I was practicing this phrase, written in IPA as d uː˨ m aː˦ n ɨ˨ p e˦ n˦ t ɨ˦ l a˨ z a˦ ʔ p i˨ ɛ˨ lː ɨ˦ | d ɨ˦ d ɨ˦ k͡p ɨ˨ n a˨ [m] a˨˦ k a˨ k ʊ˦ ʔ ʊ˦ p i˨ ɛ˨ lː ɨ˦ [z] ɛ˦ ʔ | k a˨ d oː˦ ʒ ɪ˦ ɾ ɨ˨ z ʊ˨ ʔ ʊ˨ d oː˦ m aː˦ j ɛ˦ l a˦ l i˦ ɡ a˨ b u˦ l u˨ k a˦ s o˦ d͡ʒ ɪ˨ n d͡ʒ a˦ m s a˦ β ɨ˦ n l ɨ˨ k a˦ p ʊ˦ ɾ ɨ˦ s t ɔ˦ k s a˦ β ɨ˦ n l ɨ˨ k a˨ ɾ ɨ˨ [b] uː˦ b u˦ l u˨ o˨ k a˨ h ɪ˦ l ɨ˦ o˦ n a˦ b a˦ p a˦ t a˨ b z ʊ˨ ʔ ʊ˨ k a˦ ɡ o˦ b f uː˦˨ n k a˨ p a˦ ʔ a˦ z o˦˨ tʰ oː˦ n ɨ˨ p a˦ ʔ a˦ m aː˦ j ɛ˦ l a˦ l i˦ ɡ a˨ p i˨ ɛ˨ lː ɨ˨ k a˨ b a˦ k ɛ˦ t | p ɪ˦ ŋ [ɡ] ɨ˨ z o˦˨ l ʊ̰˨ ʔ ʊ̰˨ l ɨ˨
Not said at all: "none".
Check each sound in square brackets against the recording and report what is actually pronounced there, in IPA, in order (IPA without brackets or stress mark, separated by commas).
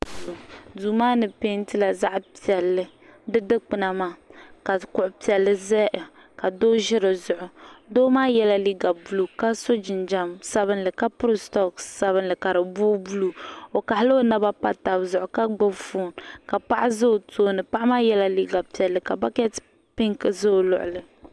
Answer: m, z, b, k